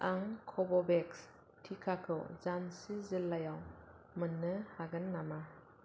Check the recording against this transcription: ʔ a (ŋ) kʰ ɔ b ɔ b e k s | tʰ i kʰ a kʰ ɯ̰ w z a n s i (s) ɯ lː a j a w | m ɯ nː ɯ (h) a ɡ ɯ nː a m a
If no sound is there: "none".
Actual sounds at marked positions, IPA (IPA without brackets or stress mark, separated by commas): ŋ, z, h